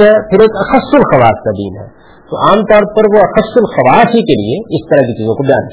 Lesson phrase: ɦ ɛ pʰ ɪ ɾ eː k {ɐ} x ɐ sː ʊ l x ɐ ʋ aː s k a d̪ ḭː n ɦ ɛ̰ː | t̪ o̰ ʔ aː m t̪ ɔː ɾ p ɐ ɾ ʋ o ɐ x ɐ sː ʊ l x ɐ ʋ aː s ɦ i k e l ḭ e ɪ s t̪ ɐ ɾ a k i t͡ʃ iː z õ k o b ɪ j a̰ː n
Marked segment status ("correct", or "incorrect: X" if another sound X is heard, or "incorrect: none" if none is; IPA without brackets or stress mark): correct